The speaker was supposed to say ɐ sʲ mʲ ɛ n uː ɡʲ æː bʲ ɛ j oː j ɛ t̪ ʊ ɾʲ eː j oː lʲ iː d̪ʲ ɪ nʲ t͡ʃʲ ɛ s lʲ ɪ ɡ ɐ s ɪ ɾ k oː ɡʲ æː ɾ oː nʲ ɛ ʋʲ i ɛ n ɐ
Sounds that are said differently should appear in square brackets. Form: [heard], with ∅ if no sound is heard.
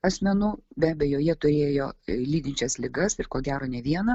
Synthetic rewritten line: ɐ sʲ mʲ ɛ n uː [bʲ] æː bʲ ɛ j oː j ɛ t̪ ʊ ɾʲ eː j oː lʲ iː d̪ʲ ɪ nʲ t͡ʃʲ ɛ s lʲ ɪ ɡ ɐ s ɪ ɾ k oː ɡʲ æː ɾ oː nʲ ɛ ʋʲ i ɛ n ɐ